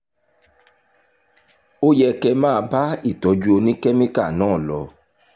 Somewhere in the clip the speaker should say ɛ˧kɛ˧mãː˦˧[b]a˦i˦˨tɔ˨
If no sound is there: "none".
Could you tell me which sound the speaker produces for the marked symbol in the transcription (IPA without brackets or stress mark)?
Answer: b